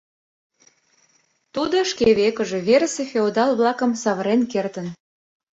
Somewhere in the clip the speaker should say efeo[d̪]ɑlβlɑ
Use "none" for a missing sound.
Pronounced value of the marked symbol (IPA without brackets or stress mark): d̪